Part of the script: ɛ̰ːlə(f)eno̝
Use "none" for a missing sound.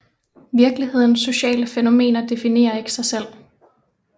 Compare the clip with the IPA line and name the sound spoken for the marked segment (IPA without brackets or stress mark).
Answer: f